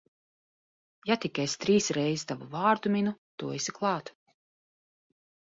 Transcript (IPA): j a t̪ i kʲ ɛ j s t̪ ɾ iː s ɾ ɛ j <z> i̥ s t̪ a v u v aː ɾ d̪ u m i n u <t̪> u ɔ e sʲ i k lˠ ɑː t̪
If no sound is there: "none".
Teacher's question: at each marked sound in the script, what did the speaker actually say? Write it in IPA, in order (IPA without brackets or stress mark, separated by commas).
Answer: z, t̪